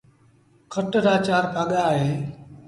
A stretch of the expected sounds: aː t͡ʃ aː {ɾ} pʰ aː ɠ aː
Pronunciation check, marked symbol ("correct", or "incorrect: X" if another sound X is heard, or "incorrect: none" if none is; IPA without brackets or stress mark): correct